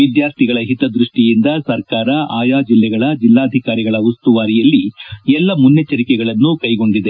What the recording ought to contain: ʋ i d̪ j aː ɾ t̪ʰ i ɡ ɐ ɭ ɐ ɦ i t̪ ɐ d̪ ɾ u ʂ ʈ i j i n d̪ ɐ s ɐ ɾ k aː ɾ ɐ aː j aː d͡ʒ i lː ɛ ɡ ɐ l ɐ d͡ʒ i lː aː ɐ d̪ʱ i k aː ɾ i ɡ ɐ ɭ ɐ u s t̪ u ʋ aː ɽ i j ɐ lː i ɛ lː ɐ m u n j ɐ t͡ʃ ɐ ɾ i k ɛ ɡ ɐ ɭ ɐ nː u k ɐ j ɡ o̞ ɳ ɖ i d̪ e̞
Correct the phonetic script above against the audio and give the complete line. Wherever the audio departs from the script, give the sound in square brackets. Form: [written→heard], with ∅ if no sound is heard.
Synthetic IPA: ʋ i d̪ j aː ɾ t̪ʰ i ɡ ɐ ɭ ɐ ɦ i t̪ ɐ d̪ ɾ u ʂ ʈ i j i n d̪ ɐ s ɐ ɾ k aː ɾ ɐ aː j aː d͡ʒ i lː ɛ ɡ ɐ [l→ɭ] ɐ d͡ʒ i lː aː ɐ d̪ʱ i k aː ɾ i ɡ ɐ ɭ ɐ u s t̪ u ʋ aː [ɽ→ɾ] i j ɐ lː i ɛ lː ɐ m u n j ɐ t͡ʃ ɐ ɾ i k ɛ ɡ ɐ ɭ ɐ nː u k ɐ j ɡ o̞ ɳ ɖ i d̪ e̞

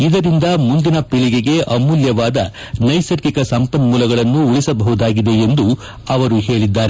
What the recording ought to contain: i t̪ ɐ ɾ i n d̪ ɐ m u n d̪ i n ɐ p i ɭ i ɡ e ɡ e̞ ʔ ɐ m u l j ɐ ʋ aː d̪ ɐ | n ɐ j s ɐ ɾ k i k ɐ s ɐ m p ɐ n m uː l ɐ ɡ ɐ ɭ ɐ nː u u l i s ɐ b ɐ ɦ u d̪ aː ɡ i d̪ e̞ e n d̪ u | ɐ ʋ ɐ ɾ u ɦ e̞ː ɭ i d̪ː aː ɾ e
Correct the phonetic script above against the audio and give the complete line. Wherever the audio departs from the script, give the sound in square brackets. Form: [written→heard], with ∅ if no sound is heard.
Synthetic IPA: i [t̪→d̪] ɐ ɾ i n d̪ ɐ m u n d̪ i n ɐ p i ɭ i ɡ e ɡ e̞ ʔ ɐ m u l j ɐ ʋ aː d̪ ɐ | n ɐ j s ɐ ɾ k i k ɐ s ɐ m p ɐ n m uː l ɐ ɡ ɐ ɭ ɐ nː u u [l→ɭ] i s ɐ b ɐ ɦ u d̪ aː ɡ i d̪ e̞ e n d̪ u | ɐ ʋ ɐ ɾ u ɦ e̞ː ɭ i d̪ː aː ɾ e

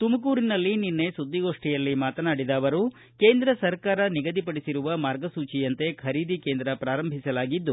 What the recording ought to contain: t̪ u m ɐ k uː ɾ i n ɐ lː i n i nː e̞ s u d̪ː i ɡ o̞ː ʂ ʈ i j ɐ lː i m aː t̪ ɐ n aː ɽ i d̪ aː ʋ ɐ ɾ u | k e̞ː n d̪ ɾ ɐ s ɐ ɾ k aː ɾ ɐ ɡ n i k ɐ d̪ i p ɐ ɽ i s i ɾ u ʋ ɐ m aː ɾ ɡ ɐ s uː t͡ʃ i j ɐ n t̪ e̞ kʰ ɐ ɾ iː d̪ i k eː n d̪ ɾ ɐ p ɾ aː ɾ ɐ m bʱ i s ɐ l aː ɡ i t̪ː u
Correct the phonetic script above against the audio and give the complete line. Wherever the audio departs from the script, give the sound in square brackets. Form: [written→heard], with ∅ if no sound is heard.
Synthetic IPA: t̪ u m ɐ k uː ɾ i n ɐ lː i n i nː e̞ s u d̪ː i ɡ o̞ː ʂ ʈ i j ɐ lː i m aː t̪ ɐ n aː ɽ i d̪ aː ʋ ɐ ɾ u | k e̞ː n d̪ ɾ ɐ s ɐ ɾ k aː ɾ ɐ [ɡ→∅] n i [k→ɡ] ɐ d̪ i p ɐ ɽ i s i ɾ u ʋ ɐ m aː ɾ ɡ ɐ s uː t͡ʃ i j ɐ n t̪ e̞ kʰ ɐ ɾ iː d̪ i k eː n d̪ ɾ ɐ p ɾ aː ɾ ɐ m bʱ i s ɐ l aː ɡ i [t̪ː→d̪ː] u

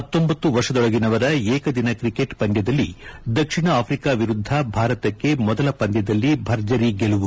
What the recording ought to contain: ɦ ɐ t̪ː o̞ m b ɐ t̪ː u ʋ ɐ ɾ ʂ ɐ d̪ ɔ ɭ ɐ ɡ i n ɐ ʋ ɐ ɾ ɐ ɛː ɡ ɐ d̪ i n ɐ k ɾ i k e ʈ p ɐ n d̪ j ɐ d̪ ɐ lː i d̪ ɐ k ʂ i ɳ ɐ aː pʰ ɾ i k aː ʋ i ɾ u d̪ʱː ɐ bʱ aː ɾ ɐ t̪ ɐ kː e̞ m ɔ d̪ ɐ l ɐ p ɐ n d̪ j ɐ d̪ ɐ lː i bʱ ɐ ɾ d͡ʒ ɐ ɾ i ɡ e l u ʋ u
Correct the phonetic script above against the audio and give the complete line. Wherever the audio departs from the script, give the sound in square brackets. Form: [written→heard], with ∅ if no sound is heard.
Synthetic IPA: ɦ ɐ t̪ː o̞ m b ɐ t̪ː u ʋ ɐ ɾ ʂ ɐ d̪ ɔ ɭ ɐ ɡ i n ɐ ʋ ɐ ɾ ɐ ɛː [ɡ→k] ɐ d̪ i n ɐ k ɾ i k e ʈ p ɐ n d̪ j ɐ d̪ ɐ lː i d̪ ɐ k ʂ i ɳ ɐ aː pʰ ɾ i k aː ʋ i ɾ u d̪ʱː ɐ bʱ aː ɾ ɐ t̪ ɐ kː e̞ m ɔ d̪ ɐ l ɐ p ɐ n d̪ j ɐ d̪ ɐ lː i bʱ ɐ ɾ d͡ʒ ɐ ɾ i ɡ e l u ʋ u

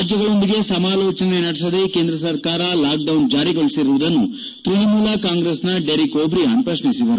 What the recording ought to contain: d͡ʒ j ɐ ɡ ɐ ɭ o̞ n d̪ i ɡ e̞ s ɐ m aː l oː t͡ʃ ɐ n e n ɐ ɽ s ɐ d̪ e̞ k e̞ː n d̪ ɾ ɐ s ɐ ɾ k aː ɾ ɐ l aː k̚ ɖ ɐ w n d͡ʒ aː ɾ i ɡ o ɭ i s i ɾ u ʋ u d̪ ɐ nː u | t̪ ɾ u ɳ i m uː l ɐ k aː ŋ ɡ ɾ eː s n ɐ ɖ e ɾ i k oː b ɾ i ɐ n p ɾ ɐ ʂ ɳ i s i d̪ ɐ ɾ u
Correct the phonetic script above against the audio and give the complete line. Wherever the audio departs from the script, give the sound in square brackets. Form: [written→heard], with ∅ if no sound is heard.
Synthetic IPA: d͡ʒ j ɐ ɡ ɐ ɭ o̞ n d̪ i ɡ e̞ s ɐ m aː l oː t͡ʃ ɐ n e n ɐ ɽ s ɐ d̪ e̞ k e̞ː n d̪ ɾ ɐ s ɐ ɾ k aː ɾ ɐ l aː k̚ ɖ ɐ w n d͡ʒ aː ɾ i ɡ o ɭ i s i ɾ u ʋ u d̪ ɐ nː u | t̪ ɾ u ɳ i m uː l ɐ k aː ŋ ɡ ɾ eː s n ɐ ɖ e ɾ i k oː b ɾ i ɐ n p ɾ ɐ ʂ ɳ i s i d̪ ɐ ɾ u

